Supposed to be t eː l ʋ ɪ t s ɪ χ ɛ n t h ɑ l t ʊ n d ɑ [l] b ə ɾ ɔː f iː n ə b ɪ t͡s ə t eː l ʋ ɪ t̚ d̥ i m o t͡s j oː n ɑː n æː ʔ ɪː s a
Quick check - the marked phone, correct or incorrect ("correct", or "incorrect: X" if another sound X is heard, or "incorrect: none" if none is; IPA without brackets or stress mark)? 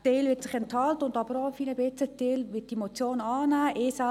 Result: incorrect: none